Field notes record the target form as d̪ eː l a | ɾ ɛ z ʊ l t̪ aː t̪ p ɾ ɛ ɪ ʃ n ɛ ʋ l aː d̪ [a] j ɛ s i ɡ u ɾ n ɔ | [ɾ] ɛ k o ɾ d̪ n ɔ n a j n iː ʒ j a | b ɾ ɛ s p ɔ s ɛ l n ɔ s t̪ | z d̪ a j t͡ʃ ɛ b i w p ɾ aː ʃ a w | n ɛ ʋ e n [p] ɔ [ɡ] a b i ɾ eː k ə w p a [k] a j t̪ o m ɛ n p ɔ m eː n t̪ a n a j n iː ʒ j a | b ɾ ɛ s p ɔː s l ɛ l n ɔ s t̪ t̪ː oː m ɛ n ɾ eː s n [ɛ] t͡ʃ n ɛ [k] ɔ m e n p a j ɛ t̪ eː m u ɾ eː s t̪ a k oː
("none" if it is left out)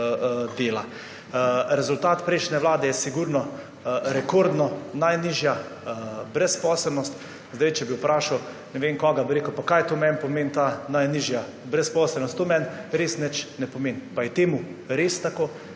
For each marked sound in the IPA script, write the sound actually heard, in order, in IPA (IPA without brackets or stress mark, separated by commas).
ɛ, ɾ, k, ɡ, k, ɛ, p